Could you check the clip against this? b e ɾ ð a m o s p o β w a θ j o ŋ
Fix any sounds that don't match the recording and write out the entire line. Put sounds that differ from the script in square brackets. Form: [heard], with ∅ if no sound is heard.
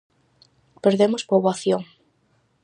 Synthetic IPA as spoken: [p] e ɾ ð [e] m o s p o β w a θ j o ŋ